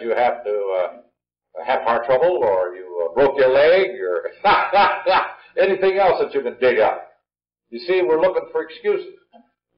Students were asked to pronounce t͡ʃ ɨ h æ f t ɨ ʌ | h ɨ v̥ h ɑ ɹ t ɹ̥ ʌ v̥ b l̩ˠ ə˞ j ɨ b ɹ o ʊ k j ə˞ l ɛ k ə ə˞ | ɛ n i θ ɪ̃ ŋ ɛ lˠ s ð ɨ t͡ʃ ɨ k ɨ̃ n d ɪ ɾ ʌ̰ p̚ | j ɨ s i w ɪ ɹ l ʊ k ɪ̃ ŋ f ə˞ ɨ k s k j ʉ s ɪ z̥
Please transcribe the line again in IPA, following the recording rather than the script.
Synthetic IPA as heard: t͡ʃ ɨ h æ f t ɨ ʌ | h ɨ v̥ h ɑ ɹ tʰ ɹ̥ ʌ b l̩ˠ ə˞ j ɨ b ɹ o ʊ k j ə˞ l ɛ ɡ ə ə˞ | ɛ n i θ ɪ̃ ŋ ɛ lˠ s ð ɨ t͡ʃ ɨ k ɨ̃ n d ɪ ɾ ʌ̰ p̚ | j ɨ s i w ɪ ɹ l ʊ k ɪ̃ ŋ f ə˞ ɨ k s k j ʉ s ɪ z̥